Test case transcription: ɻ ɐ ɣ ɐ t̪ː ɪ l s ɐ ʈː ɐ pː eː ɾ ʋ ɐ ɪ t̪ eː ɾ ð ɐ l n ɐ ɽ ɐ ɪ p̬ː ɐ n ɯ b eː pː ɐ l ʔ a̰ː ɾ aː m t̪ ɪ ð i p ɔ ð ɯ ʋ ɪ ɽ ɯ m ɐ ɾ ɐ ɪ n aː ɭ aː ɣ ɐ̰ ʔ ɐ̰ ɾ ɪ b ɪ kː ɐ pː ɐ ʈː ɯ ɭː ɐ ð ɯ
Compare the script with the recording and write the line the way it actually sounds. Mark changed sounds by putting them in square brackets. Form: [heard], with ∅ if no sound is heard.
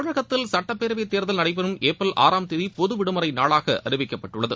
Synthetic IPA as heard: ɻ ɐ ɣ ɐ t̪ː ɪ l s ɐ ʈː ɐ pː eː ɾ ʋ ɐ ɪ t̪ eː ɾ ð ɐ l n ɐ ɽ ɐ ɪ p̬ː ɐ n ɯ [m] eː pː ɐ l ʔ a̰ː ɾ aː m t̪ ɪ ð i p ɔ ð ɯ ʋ ɪ ɽ ɯ m ɐ ɾ ɐ ɪ n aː ɭ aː ɣ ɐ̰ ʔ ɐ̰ ɾ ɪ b ɪ kː ɐ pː ɐ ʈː ɯ ɭː ɐ ð ɯ